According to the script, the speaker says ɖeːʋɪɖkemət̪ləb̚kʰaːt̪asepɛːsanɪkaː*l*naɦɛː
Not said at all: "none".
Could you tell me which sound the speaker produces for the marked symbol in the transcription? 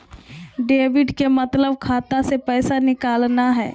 l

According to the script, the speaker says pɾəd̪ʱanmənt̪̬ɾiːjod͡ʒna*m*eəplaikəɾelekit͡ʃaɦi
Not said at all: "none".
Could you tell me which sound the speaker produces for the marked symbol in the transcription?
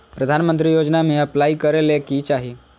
m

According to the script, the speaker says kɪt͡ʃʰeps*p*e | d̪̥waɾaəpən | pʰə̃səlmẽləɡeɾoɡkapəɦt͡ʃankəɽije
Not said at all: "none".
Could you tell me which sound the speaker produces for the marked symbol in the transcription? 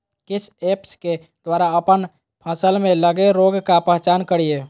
k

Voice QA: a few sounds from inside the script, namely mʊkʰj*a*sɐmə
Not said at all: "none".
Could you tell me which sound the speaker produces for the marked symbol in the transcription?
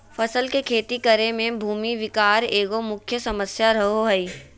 ə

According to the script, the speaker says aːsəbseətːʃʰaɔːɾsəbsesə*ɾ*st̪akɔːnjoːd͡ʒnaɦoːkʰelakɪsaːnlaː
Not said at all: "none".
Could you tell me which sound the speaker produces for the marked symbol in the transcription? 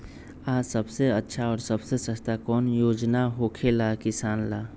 none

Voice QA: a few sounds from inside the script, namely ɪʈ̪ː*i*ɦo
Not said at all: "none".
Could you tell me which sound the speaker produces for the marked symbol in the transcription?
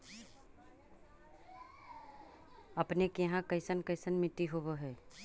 i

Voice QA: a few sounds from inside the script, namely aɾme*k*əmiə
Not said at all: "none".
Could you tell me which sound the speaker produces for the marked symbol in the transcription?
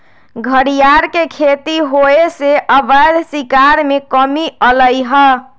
k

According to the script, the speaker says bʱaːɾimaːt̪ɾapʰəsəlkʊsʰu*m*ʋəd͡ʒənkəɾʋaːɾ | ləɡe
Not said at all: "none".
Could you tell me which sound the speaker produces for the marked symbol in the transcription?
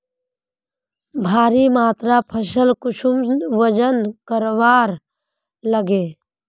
m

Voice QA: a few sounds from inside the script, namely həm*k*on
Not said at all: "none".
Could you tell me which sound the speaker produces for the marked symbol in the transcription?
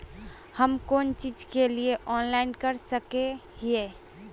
k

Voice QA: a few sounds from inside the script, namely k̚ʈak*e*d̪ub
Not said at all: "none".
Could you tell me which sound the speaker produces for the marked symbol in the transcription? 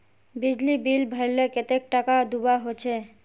a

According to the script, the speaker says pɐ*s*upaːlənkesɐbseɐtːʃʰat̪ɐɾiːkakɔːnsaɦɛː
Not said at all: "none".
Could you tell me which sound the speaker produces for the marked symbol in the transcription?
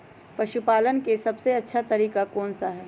ʃ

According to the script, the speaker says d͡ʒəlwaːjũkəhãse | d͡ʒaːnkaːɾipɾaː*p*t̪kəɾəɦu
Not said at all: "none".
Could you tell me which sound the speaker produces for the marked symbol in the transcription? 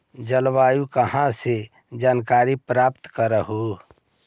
p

